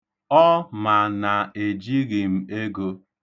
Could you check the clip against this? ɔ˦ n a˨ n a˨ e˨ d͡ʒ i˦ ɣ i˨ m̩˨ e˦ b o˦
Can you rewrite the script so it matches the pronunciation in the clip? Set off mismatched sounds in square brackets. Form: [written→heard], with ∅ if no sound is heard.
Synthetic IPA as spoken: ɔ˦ [n→m] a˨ n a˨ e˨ d͡ʒ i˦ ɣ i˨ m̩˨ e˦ [b→ɡ] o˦

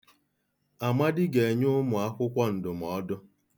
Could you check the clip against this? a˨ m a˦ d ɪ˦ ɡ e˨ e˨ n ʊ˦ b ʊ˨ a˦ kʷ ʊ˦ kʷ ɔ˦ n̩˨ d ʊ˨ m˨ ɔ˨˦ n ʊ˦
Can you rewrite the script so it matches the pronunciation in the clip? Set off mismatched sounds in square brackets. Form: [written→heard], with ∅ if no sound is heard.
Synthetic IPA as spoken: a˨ m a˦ d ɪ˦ ɡ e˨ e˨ [n→ɲ] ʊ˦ [b→m] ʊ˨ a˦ kʷ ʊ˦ kʷ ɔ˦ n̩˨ d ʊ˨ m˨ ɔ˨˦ [n→d] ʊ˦

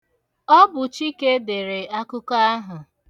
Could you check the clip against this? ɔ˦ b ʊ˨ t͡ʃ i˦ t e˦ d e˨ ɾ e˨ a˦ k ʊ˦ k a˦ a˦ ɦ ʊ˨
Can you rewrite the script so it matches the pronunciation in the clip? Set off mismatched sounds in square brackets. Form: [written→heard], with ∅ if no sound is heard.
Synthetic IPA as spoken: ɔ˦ b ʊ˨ t͡ʃ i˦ [t→k] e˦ d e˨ ɾ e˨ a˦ k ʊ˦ k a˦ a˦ ɦ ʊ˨

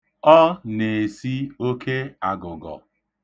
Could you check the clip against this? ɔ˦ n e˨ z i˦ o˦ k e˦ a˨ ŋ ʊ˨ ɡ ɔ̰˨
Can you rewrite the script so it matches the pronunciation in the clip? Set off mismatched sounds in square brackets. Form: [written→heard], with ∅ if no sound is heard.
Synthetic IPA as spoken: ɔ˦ n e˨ [z→s] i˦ o˦ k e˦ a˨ [ŋ→ɡ] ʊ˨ ɡ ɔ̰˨

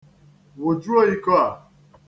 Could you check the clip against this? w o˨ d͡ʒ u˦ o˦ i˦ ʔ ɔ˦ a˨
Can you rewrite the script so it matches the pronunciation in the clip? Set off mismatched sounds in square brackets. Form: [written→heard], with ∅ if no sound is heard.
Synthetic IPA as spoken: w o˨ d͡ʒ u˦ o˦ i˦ [ʔ→k] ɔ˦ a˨

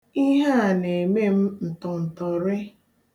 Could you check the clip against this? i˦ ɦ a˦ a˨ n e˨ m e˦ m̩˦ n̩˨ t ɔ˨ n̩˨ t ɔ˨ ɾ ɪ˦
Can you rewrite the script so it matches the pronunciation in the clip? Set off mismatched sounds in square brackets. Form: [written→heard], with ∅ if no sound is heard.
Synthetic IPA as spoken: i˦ ɦ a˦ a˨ n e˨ m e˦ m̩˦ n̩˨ t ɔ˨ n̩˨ t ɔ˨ ɾ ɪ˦

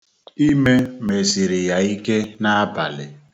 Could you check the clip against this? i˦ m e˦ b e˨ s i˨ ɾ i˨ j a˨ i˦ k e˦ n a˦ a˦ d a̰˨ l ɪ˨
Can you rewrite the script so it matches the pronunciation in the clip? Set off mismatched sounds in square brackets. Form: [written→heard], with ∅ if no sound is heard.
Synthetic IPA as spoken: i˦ m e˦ [b→m] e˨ s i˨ ɾ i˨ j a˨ i˦ k e˦ n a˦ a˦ [d→b] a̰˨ l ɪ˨

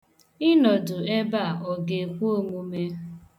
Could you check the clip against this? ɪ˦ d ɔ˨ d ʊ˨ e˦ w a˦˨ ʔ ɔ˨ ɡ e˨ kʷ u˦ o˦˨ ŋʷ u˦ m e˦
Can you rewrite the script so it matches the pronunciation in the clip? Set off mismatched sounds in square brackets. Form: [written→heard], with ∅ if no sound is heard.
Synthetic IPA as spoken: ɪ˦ [d→n] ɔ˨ d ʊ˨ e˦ [w→b] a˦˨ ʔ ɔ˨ ɡ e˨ kʷ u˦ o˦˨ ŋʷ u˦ m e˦

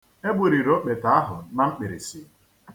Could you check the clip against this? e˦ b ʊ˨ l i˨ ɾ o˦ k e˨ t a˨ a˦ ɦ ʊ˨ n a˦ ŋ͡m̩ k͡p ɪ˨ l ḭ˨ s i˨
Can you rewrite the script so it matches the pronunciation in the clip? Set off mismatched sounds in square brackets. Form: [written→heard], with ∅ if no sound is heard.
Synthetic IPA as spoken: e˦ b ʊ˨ [l→ɾ] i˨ ɾ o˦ [k→k͡p] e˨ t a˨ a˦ ɦ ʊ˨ n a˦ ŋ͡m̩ k͡p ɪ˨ [l→ɾ] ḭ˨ s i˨

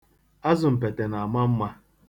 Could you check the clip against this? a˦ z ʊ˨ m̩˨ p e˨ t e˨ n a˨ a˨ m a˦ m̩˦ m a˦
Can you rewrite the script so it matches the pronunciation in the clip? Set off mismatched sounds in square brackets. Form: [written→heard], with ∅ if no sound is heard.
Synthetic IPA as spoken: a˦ z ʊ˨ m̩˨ p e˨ t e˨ n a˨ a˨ m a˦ m̩˦ m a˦

